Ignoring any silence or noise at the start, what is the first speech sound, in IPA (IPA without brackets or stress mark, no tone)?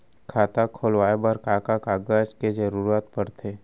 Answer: kʰ